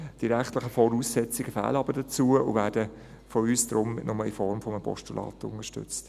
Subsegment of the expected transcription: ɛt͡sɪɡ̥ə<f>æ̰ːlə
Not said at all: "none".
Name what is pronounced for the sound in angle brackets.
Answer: f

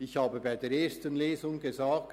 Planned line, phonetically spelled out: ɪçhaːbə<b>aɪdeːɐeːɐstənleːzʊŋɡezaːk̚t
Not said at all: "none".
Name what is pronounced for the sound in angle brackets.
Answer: b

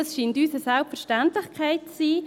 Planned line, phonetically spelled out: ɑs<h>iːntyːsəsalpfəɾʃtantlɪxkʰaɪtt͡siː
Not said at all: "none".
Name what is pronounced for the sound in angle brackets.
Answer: ʃ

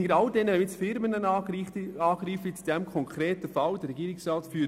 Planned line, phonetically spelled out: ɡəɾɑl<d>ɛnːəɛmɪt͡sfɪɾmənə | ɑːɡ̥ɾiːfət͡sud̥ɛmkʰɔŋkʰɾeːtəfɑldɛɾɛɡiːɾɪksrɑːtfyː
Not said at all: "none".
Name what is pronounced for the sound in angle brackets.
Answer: d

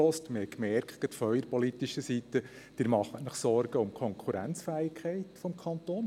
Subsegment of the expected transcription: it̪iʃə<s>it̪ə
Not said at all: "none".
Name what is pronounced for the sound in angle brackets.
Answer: s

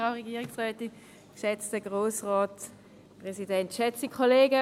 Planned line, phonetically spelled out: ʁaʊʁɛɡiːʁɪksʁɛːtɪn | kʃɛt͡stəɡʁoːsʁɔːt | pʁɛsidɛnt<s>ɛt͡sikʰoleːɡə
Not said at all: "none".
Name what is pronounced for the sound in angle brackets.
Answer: ʃ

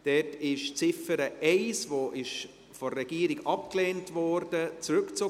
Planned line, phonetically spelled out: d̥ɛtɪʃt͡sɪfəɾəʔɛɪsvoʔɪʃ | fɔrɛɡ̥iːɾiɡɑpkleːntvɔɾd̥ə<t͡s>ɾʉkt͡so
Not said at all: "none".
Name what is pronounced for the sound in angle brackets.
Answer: t͡s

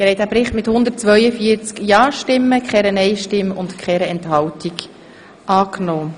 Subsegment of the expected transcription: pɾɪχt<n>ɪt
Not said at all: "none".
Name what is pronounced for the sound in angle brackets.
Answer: m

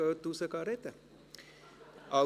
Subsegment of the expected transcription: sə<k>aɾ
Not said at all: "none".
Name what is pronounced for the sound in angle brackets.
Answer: k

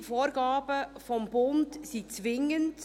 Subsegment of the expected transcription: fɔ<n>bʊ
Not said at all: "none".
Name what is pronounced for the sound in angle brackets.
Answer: m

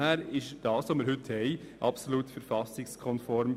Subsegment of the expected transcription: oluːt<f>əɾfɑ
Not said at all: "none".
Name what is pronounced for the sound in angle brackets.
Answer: f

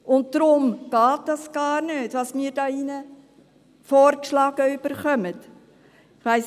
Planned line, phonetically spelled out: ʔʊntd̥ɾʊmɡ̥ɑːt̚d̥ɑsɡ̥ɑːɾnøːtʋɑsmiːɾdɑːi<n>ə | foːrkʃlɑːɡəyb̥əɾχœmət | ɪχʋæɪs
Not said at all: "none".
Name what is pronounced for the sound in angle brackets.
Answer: n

